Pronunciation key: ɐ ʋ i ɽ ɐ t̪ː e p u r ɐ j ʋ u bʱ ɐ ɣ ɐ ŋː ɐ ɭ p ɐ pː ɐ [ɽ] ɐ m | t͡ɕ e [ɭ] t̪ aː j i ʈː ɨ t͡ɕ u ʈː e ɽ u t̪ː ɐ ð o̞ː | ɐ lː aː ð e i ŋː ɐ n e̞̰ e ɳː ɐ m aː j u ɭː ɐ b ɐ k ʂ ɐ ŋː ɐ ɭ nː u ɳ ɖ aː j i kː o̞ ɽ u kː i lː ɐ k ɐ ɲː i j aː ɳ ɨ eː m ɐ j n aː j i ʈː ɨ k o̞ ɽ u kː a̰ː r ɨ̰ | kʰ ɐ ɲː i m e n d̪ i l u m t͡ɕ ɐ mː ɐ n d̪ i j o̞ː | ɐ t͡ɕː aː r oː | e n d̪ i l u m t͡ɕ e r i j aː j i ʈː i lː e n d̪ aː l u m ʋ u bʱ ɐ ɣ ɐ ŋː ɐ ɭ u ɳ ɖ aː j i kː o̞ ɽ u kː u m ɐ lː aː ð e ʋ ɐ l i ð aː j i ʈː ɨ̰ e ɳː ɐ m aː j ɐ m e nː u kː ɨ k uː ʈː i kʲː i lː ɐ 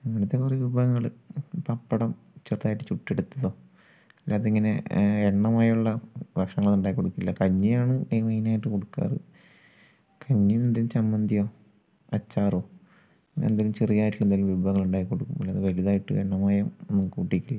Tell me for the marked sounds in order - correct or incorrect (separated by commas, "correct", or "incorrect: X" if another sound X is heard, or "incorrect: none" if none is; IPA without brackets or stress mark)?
correct, incorrect: r